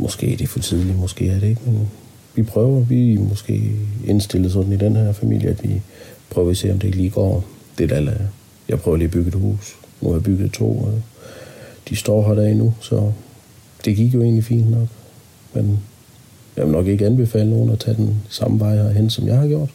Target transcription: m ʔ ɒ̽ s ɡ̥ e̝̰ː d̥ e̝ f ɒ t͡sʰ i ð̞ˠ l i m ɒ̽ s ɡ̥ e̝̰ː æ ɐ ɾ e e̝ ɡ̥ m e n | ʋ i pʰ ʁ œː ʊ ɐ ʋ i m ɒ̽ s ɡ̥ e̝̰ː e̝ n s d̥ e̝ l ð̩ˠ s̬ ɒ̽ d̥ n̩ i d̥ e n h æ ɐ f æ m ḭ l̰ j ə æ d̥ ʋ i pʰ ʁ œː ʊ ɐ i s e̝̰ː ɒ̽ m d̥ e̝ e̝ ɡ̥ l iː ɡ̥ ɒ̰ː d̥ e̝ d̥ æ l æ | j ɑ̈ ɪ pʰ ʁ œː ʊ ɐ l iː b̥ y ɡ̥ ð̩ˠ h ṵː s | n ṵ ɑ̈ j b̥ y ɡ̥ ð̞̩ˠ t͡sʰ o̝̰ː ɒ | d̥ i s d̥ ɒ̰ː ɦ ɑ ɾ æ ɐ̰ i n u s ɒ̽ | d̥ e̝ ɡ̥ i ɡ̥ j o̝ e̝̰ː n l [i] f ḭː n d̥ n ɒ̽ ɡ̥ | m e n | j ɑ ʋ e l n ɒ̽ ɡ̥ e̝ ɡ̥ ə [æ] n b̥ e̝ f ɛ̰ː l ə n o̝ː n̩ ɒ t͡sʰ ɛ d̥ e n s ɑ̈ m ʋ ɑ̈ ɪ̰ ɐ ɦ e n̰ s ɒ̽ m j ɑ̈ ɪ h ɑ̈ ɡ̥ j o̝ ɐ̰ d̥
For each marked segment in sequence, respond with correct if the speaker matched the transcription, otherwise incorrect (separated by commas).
correct, correct